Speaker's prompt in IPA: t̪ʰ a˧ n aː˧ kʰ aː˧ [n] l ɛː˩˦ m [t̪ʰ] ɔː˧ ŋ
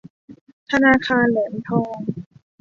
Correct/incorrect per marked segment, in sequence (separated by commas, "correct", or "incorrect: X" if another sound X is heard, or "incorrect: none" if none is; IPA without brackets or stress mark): correct, correct